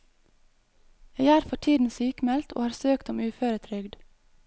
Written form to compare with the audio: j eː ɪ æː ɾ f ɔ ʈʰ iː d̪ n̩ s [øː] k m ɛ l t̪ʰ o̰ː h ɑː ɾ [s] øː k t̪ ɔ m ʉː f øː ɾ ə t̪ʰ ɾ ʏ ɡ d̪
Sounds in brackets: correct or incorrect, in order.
incorrect: yː, correct

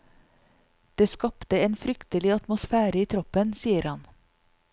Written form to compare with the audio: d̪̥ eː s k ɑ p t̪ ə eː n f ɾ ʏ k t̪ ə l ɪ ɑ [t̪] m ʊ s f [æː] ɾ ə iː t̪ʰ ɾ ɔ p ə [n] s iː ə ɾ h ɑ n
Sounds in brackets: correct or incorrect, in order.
correct, correct, correct

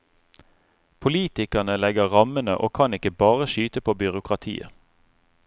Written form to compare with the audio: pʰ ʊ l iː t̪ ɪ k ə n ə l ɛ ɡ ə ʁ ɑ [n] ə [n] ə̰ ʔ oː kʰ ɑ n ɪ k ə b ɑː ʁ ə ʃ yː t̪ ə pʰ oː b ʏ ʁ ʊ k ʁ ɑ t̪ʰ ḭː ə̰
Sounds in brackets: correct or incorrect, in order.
incorrect: m, correct

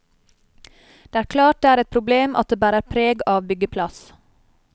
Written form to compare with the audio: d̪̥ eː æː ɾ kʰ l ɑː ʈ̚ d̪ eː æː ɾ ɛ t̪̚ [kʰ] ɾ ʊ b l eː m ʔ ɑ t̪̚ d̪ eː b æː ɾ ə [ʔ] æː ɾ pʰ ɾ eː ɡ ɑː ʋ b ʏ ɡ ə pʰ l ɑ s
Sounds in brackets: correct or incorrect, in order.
incorrect: pʰ, incorrect: none

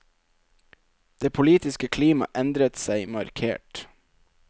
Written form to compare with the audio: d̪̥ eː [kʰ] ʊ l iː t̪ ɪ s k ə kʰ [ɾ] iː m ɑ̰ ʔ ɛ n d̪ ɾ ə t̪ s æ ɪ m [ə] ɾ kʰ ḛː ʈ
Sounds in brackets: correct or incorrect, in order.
incorrect: pʰ, incorrect: l, incorrect: ɑ

